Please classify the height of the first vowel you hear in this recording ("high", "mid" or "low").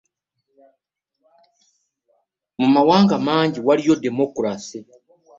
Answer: high